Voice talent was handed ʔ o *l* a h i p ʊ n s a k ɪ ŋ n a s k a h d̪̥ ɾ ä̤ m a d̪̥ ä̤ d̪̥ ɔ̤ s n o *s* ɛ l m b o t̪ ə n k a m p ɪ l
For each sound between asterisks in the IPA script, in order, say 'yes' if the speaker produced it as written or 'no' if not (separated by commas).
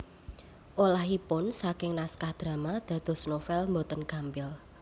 yes, no